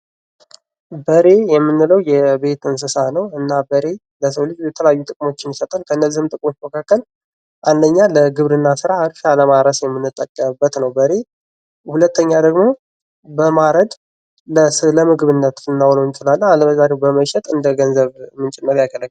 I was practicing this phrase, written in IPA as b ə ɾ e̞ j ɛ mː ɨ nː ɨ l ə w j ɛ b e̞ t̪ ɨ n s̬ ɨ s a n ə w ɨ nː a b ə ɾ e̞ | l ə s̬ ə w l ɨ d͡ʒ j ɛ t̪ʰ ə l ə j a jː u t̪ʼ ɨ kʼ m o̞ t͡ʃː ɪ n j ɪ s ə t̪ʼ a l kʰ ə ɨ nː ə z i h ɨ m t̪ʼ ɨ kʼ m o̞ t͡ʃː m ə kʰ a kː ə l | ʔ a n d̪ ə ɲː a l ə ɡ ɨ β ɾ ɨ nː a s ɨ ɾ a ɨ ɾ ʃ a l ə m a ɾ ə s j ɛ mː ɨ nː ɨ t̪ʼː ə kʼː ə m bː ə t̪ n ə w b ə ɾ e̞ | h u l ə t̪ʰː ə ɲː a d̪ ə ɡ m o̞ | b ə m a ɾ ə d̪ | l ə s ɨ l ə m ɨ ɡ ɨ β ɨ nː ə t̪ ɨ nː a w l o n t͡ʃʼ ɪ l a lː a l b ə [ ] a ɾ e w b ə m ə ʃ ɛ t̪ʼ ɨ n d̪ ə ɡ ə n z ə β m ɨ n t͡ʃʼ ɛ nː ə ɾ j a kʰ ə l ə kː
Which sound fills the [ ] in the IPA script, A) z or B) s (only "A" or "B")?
A